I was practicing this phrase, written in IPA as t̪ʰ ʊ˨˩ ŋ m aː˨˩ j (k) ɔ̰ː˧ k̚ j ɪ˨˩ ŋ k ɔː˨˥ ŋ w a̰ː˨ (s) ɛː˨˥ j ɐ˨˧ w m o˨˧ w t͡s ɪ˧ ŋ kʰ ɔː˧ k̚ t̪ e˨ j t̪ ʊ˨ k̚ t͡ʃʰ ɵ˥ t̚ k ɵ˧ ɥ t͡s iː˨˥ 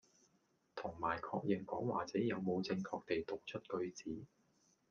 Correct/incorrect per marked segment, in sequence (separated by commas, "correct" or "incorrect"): incorrect, incorrect